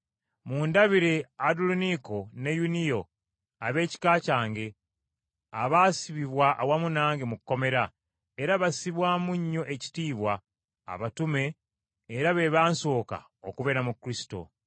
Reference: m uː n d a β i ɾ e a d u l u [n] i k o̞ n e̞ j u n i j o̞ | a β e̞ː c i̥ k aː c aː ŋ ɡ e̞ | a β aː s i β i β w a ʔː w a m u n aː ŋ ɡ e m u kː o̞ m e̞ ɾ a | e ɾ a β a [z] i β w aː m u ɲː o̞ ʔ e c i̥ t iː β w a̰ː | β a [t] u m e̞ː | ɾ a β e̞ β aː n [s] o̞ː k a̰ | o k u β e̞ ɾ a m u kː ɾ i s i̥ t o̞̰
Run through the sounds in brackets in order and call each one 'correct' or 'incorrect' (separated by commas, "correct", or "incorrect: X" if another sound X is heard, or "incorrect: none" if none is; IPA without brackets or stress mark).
correct, incorrect: s, correct, correct